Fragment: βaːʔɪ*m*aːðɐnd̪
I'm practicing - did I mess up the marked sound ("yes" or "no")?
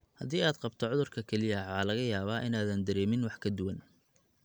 yes